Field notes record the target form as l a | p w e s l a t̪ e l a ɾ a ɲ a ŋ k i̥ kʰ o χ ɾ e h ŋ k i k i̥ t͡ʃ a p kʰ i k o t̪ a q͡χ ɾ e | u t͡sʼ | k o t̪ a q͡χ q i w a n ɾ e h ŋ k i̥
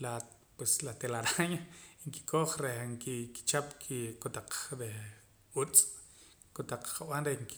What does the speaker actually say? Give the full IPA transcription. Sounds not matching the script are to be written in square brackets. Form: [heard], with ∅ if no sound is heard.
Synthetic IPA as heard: l a | p w e s l a t̪ e l a ɾ a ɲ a ŋ k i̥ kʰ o χ ɾ e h ŋ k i k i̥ t͡ʃ a p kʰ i k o t̪ a q͡χ ɾ e | u t͡sʼ | k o t̪ a q͡χ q [a] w a n ɾ e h ŋ k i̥